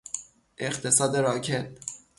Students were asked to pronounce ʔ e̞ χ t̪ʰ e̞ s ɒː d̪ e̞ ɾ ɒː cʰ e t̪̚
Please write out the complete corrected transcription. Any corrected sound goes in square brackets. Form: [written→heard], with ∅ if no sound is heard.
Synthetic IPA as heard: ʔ e̞ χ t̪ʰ e̞ s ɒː d̪ e̞ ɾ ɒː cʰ e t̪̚